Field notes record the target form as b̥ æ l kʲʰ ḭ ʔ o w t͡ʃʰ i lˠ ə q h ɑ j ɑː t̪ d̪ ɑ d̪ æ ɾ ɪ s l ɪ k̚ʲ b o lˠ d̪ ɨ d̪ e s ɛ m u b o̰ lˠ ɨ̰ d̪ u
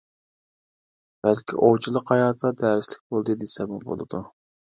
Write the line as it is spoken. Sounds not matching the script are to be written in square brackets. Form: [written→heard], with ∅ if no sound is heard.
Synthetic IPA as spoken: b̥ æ l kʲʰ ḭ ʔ o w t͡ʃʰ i lˠ ə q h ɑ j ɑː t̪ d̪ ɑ d̪ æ ɾ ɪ s l ɪ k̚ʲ b o lˠ d̪ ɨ d̪ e s ɛ m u b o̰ lˠ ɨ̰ d̪ u